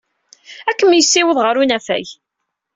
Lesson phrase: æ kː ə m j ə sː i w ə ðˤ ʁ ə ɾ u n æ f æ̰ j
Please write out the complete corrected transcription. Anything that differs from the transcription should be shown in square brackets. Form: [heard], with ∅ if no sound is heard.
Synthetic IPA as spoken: æ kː ə m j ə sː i w ə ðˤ ʁ ə ɾ u n æ f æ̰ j